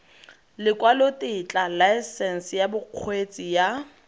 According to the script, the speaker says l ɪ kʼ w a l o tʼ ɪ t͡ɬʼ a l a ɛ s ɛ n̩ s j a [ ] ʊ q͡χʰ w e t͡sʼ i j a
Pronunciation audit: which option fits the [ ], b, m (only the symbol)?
b